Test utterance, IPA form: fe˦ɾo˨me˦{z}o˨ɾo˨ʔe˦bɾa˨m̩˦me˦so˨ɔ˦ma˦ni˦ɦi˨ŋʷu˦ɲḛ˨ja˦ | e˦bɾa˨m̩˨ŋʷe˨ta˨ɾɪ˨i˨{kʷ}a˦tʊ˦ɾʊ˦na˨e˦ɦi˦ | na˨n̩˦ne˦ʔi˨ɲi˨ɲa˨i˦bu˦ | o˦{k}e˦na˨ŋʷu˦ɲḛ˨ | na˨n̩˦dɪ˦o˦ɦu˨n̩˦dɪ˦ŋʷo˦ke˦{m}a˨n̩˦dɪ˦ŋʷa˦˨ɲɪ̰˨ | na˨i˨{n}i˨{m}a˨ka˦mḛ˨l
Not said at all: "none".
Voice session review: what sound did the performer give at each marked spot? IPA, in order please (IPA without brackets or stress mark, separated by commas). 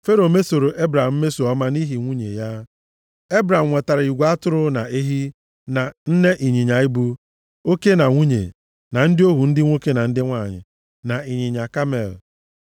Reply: s, ɡʷ, k, n, ɲ, ɲ